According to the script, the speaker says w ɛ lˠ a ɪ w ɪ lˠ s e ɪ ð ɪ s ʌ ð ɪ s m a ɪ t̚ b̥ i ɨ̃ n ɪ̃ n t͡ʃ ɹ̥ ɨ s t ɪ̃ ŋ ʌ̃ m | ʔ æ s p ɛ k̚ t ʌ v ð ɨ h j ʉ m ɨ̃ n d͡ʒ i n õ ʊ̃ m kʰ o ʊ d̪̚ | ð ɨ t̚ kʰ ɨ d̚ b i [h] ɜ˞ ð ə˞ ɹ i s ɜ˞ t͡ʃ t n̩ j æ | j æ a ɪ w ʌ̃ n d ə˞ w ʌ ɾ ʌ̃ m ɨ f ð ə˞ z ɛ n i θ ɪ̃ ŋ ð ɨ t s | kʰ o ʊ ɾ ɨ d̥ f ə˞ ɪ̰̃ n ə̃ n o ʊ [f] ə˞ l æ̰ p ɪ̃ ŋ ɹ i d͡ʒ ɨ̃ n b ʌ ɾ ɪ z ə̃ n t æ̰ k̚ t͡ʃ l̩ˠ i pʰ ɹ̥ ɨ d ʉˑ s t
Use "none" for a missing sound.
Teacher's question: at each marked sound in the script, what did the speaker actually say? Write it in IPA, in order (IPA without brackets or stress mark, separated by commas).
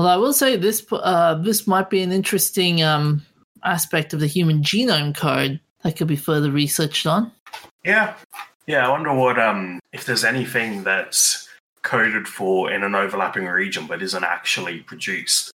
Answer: f, v